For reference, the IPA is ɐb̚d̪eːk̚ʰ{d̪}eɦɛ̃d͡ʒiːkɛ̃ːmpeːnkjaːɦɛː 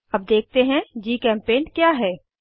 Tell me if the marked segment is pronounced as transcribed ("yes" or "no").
no